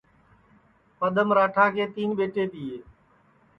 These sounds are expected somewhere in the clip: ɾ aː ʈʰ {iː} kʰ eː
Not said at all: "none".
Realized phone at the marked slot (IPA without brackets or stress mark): aː